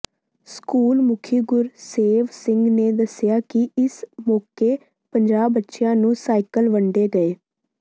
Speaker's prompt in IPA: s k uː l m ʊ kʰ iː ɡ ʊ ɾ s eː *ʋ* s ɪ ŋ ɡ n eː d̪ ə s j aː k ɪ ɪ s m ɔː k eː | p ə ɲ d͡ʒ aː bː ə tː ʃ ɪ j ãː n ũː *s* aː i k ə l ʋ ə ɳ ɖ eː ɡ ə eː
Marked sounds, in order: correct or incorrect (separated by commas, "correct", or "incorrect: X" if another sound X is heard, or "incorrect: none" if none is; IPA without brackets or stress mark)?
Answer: correct, correct